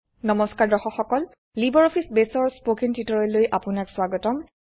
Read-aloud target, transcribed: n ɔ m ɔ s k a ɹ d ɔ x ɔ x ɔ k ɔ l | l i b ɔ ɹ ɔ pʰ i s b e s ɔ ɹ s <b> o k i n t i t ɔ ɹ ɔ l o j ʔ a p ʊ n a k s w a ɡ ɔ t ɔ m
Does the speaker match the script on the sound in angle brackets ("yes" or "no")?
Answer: no